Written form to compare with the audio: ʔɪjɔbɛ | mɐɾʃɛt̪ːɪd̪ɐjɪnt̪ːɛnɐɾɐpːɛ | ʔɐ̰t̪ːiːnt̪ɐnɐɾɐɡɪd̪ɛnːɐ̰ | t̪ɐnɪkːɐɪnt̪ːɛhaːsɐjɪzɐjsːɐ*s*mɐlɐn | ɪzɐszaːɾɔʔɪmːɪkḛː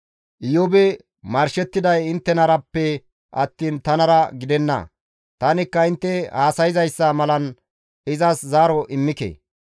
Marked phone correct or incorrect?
incorrect